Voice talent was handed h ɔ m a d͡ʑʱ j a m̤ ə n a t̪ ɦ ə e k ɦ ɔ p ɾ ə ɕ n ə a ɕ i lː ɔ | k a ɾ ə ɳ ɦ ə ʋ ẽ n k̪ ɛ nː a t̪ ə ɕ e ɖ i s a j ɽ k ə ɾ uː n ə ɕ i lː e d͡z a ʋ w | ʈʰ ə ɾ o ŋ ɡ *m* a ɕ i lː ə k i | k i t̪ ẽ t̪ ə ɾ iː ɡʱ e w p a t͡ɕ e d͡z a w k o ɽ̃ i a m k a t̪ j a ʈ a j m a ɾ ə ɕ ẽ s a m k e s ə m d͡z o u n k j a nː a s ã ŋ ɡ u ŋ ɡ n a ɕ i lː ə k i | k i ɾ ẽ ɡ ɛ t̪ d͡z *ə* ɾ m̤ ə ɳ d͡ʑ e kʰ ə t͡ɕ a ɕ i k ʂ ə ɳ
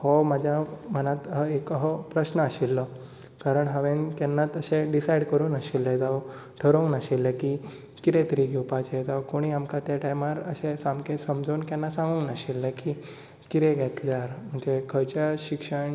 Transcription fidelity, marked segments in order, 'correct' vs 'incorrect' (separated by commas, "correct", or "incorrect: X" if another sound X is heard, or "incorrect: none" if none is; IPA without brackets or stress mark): incorrect: n, incorrect: a